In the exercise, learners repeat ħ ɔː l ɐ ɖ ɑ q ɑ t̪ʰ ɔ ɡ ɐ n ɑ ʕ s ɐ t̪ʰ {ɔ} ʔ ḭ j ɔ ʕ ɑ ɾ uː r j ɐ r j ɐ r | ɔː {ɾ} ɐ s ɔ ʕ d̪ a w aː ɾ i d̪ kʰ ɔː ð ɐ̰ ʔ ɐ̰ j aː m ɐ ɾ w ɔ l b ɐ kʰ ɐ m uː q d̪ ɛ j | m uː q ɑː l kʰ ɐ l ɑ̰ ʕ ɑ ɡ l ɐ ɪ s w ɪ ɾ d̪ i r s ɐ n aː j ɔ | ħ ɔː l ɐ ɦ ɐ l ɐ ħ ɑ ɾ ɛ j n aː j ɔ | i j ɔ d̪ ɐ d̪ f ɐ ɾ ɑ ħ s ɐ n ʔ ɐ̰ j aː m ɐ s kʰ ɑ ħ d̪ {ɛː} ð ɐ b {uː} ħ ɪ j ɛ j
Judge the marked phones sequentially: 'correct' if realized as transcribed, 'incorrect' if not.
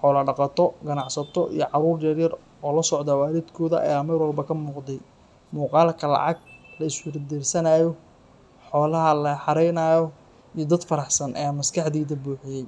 correct, incorrect: l, incorrect: iː, correct

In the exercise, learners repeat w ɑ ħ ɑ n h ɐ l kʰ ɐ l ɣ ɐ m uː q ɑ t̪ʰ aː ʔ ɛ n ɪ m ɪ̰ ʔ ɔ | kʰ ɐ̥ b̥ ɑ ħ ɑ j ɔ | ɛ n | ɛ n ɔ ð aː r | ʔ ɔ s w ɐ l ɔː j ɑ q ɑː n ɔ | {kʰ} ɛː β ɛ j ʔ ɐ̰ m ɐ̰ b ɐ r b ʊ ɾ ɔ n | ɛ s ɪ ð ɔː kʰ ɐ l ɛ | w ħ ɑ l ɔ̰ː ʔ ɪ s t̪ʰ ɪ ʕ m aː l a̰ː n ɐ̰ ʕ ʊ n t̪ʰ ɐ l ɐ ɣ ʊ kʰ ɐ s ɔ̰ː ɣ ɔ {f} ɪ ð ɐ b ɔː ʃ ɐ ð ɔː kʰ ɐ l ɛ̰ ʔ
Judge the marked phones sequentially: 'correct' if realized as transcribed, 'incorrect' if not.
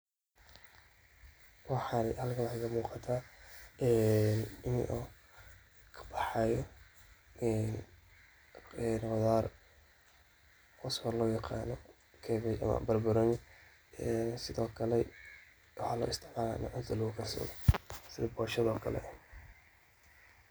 correct, incorrect: s

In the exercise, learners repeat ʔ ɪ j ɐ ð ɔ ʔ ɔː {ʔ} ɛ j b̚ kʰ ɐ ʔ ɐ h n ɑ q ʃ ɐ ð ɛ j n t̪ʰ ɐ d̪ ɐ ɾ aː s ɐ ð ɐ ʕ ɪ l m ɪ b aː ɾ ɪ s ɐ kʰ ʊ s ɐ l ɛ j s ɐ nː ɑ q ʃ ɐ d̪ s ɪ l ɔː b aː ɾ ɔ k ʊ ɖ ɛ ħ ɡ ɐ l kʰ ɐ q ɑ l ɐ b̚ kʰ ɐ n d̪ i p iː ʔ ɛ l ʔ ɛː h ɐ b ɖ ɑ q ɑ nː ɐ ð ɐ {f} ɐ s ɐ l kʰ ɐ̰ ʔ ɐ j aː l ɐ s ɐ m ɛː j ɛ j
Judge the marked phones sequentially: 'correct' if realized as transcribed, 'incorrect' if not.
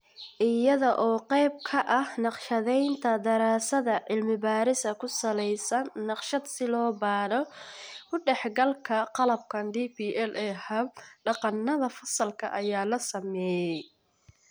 incorrect: q, correct

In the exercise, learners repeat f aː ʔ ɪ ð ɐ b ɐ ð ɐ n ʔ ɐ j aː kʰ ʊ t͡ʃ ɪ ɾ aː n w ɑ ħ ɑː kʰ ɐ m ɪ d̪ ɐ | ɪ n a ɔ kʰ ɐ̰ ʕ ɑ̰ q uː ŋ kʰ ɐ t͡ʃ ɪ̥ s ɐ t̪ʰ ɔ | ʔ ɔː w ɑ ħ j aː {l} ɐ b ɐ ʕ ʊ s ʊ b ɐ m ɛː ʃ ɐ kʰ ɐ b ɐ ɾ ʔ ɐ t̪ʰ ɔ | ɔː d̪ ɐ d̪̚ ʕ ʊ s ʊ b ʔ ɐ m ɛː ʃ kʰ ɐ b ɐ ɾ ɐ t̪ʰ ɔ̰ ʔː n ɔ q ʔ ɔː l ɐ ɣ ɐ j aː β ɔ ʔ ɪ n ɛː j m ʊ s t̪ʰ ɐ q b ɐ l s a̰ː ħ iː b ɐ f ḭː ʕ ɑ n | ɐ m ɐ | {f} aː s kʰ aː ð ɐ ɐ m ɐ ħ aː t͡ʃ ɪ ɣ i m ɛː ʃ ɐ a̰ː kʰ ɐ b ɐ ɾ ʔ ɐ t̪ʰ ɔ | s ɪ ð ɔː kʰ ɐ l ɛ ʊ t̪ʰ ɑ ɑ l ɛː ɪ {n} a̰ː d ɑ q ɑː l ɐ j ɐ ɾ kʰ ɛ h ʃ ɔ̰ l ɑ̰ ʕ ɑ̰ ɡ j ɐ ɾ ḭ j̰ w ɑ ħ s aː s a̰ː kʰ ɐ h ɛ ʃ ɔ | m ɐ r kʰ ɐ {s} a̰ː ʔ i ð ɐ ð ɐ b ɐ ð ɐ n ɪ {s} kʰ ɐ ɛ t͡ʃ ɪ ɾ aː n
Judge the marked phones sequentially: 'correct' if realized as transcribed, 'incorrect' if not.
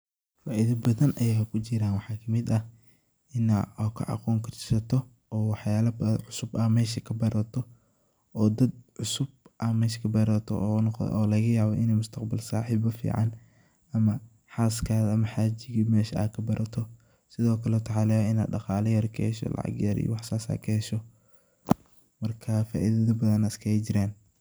correct, incorrect: ħ, correct, incorrect: f, correct

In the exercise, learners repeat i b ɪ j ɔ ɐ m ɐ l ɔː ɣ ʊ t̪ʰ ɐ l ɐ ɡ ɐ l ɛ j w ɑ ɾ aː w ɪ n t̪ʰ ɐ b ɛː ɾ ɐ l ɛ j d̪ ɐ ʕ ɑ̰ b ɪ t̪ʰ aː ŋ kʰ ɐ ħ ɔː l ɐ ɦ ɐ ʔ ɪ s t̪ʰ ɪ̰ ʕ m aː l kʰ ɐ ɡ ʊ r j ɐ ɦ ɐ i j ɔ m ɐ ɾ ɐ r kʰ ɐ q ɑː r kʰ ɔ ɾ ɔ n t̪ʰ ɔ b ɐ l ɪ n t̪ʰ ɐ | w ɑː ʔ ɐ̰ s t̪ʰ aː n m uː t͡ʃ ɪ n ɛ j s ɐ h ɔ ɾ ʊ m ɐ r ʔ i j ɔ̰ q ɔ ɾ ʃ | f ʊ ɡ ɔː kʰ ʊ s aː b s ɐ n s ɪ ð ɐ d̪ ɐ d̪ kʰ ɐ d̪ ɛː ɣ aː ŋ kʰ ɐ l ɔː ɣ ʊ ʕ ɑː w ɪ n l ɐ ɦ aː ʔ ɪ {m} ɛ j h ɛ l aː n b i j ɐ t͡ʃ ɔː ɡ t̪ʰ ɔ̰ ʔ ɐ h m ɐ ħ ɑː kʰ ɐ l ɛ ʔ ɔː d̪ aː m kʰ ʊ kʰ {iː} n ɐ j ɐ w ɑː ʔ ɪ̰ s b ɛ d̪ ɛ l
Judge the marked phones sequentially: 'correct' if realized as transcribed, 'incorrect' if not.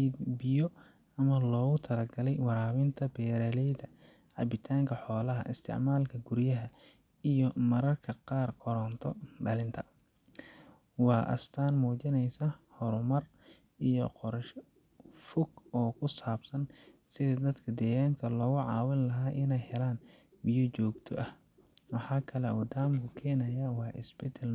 incorrect: n, incorrect: ɛː

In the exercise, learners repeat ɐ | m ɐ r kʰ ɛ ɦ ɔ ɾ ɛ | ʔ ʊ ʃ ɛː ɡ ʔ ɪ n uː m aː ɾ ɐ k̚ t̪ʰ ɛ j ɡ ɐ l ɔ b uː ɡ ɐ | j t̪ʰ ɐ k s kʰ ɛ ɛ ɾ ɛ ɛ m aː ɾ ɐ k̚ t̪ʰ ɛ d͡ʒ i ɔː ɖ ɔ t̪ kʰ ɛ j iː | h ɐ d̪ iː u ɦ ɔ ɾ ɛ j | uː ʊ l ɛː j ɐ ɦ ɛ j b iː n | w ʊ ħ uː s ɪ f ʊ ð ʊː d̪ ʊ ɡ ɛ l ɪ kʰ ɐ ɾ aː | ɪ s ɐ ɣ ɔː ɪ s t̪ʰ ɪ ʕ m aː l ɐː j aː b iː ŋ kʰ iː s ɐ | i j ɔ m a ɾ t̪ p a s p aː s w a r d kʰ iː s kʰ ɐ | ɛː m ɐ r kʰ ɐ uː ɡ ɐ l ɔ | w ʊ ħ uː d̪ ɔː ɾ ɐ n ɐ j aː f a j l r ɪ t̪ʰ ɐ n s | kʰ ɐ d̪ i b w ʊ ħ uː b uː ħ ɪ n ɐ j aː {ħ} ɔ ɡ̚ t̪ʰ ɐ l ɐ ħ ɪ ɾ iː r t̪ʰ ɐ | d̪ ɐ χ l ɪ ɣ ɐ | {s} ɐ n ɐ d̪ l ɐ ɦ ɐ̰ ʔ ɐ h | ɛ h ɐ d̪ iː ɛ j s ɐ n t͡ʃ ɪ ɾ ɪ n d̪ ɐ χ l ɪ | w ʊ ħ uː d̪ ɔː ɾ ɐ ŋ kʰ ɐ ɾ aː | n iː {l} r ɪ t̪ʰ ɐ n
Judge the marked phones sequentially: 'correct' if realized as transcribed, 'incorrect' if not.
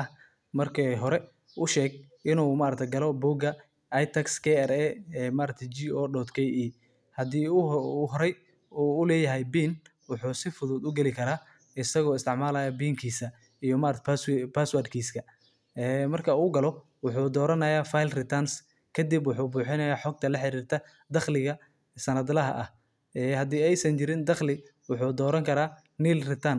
correct, correct, correct

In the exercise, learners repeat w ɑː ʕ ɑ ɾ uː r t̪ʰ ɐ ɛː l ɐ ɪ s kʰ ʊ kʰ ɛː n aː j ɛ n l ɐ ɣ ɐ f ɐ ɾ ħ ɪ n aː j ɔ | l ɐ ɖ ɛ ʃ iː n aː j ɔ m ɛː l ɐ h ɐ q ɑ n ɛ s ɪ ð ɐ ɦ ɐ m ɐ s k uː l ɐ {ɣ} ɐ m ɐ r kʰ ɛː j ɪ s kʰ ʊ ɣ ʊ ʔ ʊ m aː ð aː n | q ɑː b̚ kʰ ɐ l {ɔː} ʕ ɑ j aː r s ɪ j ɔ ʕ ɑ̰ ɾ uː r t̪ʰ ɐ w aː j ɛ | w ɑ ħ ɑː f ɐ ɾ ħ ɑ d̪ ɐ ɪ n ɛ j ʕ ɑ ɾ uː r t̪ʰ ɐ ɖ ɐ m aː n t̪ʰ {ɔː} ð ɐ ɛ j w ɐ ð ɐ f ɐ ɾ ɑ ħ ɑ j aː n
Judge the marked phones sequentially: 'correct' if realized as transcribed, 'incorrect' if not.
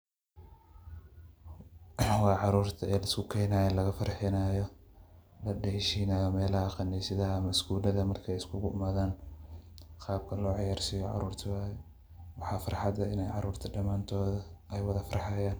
incorrect: ð, correct, correct

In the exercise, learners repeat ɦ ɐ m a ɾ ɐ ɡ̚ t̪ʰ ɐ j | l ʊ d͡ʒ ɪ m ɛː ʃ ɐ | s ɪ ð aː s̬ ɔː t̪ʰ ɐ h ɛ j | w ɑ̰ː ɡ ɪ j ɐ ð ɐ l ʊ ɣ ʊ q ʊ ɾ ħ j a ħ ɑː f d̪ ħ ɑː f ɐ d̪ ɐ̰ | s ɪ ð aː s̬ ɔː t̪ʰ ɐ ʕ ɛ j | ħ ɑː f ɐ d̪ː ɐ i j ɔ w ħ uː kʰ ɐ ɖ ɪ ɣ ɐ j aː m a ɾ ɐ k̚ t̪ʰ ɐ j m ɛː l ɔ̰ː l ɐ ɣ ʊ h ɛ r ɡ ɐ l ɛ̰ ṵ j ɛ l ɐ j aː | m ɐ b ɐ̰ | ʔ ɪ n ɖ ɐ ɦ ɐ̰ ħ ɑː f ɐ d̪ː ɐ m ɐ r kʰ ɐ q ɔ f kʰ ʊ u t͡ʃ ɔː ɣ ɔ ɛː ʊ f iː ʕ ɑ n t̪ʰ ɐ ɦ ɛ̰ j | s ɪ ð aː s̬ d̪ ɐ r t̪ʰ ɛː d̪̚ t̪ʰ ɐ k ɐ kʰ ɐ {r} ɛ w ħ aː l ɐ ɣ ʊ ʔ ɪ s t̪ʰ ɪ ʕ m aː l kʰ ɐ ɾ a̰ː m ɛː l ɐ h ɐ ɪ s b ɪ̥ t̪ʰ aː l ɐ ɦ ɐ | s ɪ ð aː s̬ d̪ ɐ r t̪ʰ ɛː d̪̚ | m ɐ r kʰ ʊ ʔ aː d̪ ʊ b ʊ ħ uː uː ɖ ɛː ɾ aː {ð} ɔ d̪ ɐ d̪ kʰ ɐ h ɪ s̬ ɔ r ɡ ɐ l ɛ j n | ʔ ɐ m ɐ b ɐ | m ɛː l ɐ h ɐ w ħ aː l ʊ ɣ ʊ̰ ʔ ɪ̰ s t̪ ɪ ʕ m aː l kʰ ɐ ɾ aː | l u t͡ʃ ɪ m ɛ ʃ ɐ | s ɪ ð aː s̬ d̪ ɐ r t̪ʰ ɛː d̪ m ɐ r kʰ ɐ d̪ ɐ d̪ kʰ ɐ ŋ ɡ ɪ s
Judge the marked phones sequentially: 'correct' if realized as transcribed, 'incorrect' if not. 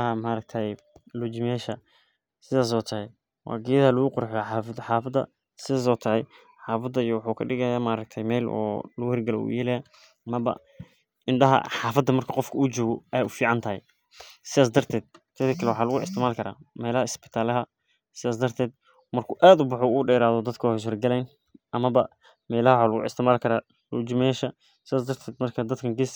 incorrect: l, correct

